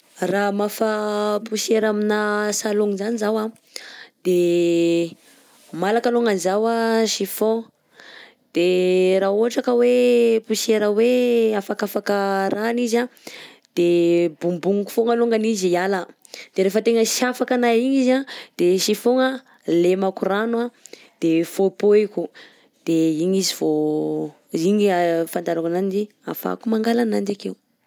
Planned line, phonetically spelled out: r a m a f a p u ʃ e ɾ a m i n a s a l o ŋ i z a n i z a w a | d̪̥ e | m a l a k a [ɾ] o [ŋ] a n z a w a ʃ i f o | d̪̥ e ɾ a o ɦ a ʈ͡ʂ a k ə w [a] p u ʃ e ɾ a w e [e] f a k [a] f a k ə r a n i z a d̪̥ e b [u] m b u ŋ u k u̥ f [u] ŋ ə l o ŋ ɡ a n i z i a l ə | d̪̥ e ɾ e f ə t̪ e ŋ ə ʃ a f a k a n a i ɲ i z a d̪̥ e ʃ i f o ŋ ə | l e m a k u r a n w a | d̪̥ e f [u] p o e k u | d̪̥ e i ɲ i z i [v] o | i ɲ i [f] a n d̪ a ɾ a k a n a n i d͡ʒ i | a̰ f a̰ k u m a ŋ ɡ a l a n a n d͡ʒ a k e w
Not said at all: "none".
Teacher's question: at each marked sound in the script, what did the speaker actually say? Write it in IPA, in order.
l, ŋ, e, a, a, u, o, o, v, f

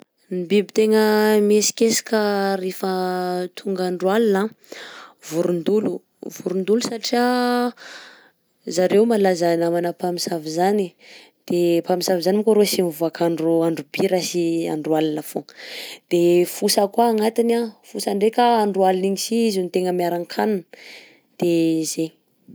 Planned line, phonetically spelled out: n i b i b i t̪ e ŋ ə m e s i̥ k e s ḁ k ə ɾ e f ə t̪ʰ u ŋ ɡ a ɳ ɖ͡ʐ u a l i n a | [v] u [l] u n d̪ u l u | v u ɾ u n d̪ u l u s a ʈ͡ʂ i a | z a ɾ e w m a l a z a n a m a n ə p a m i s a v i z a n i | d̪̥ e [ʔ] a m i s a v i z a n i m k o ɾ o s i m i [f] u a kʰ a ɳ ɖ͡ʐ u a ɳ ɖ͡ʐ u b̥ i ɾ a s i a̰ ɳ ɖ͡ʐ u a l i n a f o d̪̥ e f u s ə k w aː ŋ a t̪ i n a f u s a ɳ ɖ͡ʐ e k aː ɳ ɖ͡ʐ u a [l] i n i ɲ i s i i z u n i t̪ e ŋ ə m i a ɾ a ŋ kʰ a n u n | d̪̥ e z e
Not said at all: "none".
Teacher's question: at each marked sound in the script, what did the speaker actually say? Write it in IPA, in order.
v, ɾ, p, v, l

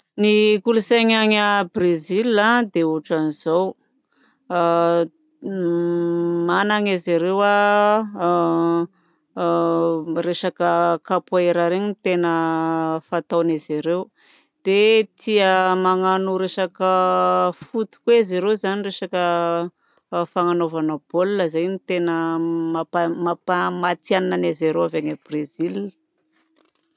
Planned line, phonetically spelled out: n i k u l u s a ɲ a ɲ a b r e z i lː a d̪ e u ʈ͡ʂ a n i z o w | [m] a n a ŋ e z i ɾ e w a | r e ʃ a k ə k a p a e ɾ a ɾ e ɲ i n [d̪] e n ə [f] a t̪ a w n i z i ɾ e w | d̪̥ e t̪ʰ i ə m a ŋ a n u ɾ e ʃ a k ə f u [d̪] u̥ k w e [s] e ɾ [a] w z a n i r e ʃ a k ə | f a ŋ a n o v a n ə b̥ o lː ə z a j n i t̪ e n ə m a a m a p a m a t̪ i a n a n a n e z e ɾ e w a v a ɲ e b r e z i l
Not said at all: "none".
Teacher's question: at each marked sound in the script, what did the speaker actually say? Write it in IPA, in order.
m, t̪, f, t̪, z, e

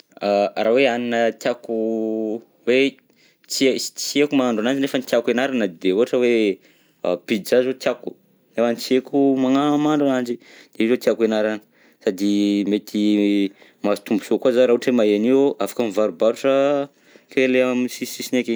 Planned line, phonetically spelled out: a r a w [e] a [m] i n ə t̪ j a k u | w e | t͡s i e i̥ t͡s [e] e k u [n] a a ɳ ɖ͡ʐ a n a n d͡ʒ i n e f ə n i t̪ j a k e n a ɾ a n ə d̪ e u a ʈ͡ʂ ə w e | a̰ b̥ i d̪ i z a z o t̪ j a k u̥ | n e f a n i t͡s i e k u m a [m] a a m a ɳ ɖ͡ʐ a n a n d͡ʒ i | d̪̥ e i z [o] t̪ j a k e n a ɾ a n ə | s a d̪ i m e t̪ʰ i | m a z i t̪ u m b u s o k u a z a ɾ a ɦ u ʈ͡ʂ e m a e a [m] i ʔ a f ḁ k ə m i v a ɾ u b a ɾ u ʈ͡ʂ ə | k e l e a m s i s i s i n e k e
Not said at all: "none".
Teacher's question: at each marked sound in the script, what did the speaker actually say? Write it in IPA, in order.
e, n, i, m, ŋ, o, n

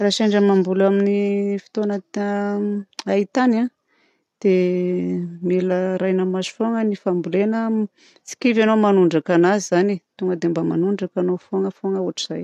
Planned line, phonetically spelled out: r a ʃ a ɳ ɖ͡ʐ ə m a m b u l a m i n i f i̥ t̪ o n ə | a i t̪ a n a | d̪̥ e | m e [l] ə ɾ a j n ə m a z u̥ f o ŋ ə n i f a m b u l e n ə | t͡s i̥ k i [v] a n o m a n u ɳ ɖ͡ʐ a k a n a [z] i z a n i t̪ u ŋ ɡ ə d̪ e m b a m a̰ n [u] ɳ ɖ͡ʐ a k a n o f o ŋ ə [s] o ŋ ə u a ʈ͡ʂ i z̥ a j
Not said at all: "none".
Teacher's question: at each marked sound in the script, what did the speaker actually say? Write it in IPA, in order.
l, v, z, u, f

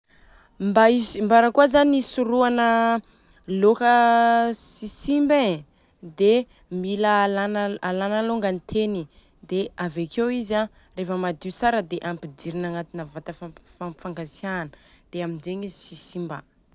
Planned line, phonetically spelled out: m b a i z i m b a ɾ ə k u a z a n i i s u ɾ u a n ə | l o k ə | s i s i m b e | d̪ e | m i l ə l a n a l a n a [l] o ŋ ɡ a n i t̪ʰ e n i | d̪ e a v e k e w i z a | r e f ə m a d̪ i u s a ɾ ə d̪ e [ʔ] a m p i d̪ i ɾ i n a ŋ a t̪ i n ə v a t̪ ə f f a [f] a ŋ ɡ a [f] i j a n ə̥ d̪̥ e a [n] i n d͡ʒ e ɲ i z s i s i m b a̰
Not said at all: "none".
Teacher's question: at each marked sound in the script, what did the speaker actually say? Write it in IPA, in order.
l, ʔ, f, s, m

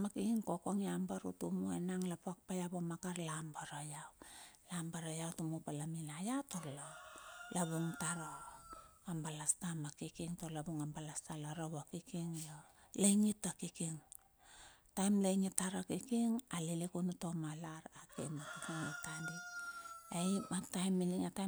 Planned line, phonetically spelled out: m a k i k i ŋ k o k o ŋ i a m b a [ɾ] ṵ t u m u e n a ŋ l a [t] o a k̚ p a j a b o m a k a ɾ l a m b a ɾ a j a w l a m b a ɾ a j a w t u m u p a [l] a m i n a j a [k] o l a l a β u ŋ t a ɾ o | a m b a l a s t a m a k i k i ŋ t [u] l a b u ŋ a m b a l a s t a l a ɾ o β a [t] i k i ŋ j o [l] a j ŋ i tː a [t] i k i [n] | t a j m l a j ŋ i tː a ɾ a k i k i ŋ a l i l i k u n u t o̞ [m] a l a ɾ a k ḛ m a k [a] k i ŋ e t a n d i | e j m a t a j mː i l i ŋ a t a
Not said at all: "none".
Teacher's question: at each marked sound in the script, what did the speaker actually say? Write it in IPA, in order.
ɾ, p, l, t, o, k, l, k, ŋ, m, i

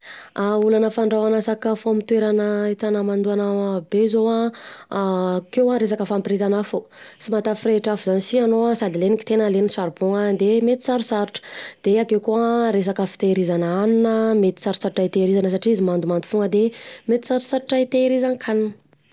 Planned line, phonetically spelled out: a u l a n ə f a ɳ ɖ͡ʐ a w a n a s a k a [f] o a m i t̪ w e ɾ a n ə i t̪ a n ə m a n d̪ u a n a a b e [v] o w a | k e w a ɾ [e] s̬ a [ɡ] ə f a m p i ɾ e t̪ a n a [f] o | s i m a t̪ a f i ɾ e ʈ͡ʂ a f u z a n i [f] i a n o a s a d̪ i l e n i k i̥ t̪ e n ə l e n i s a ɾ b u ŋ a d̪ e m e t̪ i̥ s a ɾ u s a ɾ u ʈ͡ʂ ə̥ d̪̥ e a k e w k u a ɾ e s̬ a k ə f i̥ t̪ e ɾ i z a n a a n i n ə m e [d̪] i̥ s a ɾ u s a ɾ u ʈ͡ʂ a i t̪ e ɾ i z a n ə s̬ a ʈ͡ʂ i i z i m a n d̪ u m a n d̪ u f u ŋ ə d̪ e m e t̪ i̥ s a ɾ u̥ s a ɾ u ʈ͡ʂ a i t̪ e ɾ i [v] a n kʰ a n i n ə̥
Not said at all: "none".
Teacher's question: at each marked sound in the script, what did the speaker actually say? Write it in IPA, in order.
f, z, e, k, f, s, t̪, z

